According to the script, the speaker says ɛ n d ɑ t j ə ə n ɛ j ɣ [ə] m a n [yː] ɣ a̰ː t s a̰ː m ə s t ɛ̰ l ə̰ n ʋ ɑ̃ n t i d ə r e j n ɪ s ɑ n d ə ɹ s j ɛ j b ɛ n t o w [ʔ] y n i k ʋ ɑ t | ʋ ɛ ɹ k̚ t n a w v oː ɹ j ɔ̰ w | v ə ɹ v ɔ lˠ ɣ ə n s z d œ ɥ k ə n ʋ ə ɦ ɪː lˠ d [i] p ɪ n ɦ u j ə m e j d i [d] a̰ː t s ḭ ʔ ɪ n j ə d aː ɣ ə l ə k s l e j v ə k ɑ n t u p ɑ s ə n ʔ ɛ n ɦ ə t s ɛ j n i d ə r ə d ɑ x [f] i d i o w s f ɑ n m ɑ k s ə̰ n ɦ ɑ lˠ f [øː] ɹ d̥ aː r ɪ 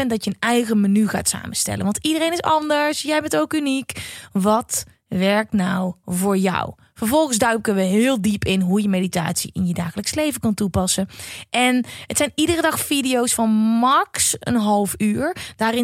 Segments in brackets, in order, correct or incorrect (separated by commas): correct, incorrect, incorrect, correct, incorrect, correct, incorrect